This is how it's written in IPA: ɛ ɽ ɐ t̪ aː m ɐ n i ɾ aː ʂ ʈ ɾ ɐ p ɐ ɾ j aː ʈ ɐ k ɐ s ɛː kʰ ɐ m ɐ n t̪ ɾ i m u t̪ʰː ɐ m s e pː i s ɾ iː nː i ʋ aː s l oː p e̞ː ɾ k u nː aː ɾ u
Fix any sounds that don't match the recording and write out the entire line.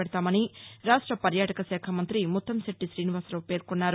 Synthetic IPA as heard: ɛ ɽ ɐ t̪ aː m ɐ n i ɾ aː ʂ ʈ ɾ ɐ p ɐ ɾ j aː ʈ ɐ k ɐ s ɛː kʰ ɐ m ɐ n t̪ ɾ i m u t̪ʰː ɐ m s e ʈː i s ɾ iː n i ʋ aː s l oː p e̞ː ɾ k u nː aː ɾ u